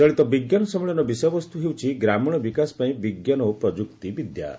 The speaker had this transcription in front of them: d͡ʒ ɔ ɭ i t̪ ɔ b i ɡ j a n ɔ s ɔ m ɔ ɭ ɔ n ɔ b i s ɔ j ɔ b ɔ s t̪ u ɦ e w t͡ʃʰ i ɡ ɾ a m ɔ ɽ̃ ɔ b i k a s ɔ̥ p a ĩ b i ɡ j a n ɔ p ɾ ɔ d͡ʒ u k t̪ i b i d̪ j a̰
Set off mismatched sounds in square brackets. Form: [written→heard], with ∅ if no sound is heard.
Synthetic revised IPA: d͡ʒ ɔ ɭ i t̪ ɔ b i ɡ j a n ɔ s ɔ m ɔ ɭ ɔ n ɔ b i s ɔ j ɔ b ɔ s t̪ u ɦ e w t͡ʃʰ i ɡ ɾ a m ɔ ɽ̃ ɔ b i k a s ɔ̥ p a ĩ b i ɡ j a n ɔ p ɾ ɔ d͡ʒ u k t̪ i b i d̪ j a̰